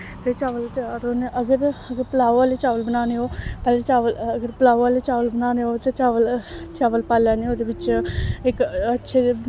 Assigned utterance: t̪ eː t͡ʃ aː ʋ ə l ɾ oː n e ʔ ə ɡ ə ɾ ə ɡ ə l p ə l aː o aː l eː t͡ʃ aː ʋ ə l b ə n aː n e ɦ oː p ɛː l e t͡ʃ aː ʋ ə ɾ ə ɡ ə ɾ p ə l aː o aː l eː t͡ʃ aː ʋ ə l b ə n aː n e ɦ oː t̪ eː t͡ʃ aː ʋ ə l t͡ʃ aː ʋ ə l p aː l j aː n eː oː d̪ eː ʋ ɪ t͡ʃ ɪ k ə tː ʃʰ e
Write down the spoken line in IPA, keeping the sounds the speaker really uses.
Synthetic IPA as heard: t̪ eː t͡ʃ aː ʋ ə l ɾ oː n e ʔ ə ɡ ə ɾ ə ɡ ə ɾ p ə l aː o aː l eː t͡ʃ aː ʋ ə l b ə n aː n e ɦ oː p ɛː l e t͡ʃ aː ʋ ə l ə ɡ ə ɾ p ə l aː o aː l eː t͡ʃ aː ʋ ə l b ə n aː n e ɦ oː t̪ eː t͡ʃ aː ʋ ə l t͡ʃ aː ʋ ə l p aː l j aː n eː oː d̪ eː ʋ ɪ t͡ʃ ɪ k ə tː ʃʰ e